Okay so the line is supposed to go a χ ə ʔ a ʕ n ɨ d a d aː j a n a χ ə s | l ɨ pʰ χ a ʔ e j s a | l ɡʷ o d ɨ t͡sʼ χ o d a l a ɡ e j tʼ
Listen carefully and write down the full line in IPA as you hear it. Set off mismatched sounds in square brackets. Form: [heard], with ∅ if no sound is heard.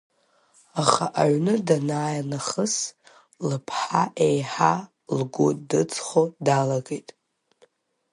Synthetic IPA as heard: a χ [a] ʔ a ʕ n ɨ d a [n] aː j a n a χ ə s | l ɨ pʰ [ħ] a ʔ e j [ħ] a | l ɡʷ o d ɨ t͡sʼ χ o d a l a ɡ e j tʼ